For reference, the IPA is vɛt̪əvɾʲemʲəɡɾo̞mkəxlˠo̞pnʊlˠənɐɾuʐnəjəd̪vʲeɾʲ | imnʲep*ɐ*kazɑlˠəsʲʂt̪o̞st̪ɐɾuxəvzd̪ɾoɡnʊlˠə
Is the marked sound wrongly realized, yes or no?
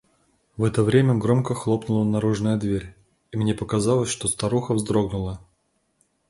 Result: yes